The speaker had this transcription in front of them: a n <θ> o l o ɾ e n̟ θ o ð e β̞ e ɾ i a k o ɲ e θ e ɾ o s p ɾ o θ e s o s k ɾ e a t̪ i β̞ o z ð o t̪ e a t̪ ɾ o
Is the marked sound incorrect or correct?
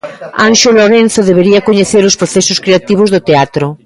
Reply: incorrect: ʃ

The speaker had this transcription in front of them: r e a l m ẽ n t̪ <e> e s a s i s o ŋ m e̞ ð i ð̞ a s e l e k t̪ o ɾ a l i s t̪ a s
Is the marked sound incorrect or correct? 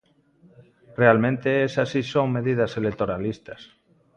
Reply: correct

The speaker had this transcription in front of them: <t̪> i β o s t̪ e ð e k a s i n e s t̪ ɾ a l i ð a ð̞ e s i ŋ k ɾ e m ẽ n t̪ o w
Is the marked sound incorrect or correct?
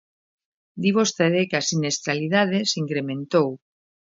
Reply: incorrect: d̪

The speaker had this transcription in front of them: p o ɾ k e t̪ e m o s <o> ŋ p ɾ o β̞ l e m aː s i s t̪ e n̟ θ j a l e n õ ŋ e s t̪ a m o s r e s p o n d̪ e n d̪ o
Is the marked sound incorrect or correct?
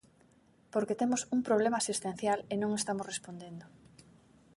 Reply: incorrect: u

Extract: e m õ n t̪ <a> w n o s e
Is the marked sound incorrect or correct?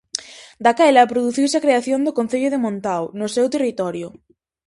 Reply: correct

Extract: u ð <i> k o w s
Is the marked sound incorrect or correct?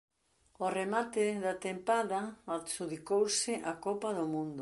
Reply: correct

